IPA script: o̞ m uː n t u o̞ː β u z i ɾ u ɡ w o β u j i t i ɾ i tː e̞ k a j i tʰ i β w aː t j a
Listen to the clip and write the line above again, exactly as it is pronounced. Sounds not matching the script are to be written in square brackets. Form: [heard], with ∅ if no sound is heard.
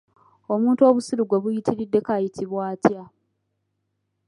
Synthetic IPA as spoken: o̞ m uː n t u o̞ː β u [s] i ɾ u ɡ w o β u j i t i ɾ i [dː] e̞ k a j i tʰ i β w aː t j a